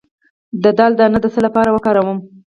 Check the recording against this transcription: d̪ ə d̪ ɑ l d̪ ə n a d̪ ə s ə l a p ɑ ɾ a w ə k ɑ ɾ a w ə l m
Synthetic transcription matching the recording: d̪ ə d̪ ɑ l d̪ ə n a d̪ ə s ə l a p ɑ ɾ a w ə k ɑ ɾ a w ə m